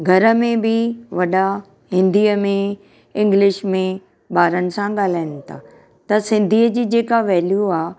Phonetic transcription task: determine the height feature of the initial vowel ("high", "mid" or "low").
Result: low